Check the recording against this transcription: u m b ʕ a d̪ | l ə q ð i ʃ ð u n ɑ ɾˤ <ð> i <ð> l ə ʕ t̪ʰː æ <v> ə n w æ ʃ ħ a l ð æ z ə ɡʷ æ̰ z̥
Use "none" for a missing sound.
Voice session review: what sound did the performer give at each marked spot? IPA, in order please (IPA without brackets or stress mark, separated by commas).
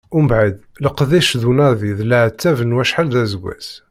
ð, ð, v